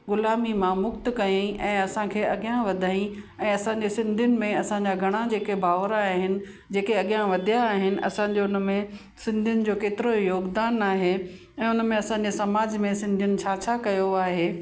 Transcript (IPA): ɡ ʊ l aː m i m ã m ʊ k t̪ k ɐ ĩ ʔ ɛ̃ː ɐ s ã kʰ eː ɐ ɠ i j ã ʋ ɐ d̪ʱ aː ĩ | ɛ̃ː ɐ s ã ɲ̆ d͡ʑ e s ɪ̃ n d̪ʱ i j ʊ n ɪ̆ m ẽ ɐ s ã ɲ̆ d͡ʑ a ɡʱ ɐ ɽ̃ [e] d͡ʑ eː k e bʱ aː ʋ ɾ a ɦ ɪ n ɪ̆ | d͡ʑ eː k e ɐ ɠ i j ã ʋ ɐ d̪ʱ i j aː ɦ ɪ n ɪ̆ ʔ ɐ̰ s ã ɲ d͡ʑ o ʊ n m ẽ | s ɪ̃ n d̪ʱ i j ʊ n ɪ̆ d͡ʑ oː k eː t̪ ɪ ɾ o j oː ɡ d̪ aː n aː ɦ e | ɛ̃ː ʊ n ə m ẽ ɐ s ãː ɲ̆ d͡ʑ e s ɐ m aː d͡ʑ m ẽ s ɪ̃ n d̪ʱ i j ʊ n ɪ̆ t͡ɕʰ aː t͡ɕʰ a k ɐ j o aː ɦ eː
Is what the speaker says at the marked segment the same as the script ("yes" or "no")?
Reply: no